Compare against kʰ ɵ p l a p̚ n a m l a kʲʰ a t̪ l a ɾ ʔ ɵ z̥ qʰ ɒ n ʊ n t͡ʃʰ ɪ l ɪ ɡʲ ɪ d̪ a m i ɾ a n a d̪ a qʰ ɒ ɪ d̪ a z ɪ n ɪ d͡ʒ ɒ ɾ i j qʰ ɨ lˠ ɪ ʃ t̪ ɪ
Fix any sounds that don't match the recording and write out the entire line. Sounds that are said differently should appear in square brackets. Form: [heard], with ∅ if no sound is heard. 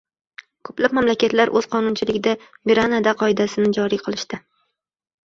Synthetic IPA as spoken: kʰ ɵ p l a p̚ [m] a m l a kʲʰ a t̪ l a ɾ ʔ ɵ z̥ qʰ ɒ n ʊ n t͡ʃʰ ɪ l ɪ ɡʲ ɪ d̪ a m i ɾ a n a d̪ a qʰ ɒ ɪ d̪ a [s] ɪ n ɪ d͡ʒ ɒ ɾ i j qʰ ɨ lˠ ɪ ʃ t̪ ɪ